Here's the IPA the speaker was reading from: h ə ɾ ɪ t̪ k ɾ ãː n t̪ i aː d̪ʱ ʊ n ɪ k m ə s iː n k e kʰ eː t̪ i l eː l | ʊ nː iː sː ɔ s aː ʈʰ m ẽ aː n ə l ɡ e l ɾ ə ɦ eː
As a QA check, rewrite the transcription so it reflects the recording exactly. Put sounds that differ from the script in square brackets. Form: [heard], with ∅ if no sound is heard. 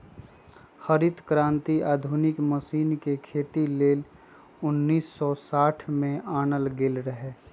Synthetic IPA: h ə ɾ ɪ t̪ k ɾ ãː n t̪ i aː d̪ʱ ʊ n ɪ k m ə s iː n k e kʰ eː t̪ i l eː l | ʊ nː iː sː ɔ s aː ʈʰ m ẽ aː n ə l ɡ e l ɾ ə ɦ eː